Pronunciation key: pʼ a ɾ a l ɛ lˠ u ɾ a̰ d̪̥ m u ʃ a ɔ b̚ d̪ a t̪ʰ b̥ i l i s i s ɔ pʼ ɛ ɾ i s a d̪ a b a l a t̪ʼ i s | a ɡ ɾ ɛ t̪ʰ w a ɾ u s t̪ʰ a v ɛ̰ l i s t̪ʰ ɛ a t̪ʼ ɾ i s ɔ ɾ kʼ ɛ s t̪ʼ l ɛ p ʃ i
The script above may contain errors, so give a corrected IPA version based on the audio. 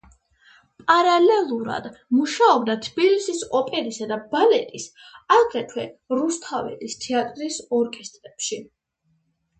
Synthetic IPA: pʼ a ɾ a l ɛ lˠ u ɾ a̰ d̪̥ m u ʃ a ɔ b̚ d̪ a t̪ʰ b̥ i l i s i s ɔ pʼ ɛ ɾ i s a d̪ a b a l ɛ t̪ʼ i s | a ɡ ɾ ɛ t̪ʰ w ɛ ɾ u s t̪ʰ a v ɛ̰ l i s t̪ʰ ɛ a t̪ʼ ɾ i s ɔ ɾ kʼ ɛ s t̪ʼ ɾ ɛ p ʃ i